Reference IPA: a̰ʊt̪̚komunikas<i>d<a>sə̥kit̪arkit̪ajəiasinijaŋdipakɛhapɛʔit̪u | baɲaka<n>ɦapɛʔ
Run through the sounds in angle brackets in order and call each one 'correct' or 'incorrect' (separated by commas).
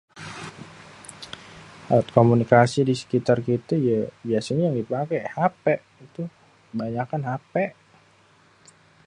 correct, incorrect, correct